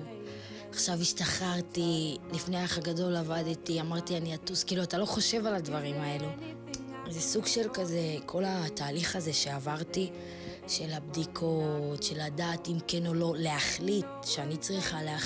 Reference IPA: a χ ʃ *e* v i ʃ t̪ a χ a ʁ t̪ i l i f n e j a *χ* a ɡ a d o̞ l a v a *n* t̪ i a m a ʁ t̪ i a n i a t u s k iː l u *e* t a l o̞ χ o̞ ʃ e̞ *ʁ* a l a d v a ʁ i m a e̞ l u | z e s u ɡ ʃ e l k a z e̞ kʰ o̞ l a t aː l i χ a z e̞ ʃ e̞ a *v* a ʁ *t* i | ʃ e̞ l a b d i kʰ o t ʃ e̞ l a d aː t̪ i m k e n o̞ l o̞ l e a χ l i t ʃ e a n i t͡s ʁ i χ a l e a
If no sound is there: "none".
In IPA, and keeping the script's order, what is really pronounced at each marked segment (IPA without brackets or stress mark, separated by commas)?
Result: a, χ, d, a, v, v, t